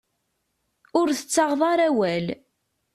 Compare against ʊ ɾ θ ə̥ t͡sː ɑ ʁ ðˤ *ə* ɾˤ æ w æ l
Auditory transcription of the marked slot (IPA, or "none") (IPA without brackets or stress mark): ɑ